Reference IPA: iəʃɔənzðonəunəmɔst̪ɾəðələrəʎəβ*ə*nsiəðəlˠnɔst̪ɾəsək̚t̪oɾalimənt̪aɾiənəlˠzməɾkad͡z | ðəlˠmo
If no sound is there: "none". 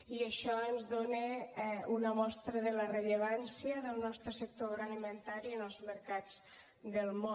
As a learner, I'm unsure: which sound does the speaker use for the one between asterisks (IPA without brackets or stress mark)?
a